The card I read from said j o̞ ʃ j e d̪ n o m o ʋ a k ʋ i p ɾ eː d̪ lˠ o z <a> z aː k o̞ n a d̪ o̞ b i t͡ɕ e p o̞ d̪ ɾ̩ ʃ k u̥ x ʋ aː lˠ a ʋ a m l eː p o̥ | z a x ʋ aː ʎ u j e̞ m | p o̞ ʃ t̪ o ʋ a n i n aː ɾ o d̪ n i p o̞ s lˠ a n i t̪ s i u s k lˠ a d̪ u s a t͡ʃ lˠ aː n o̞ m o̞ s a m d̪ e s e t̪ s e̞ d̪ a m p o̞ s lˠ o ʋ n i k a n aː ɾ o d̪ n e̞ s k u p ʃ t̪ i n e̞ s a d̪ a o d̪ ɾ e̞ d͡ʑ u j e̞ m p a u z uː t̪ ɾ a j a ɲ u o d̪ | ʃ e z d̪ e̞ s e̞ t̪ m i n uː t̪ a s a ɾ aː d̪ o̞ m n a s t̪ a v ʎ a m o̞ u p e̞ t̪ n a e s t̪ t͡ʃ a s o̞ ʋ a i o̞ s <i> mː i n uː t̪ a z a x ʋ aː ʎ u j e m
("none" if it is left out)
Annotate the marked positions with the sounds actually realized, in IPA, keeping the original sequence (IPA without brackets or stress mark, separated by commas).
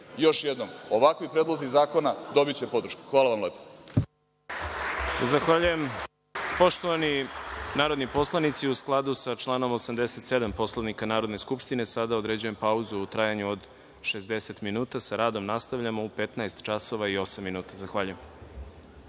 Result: i, a